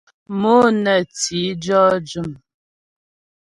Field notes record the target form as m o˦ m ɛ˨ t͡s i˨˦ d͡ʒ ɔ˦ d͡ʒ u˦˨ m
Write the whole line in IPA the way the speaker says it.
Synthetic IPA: m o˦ n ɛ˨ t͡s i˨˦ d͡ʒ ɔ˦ d͡ʒ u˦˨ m